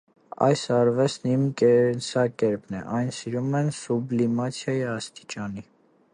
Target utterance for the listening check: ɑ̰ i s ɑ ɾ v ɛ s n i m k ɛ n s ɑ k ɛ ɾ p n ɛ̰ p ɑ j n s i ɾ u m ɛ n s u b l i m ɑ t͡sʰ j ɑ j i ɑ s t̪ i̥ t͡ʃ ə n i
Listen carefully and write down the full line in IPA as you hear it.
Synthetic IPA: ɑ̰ j s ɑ ɾ v ɛ s n i m k ɛ n s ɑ k ɛ ɾ p n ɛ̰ ʔ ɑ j n s i ɾ u m ɛ n s u b l i m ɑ t͡sʰ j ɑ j i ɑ s t̪ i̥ t͡ʃ ɑ n i